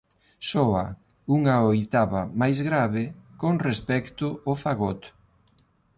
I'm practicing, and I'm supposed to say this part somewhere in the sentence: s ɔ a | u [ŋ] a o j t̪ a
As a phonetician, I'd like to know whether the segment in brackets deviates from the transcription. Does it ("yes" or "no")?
no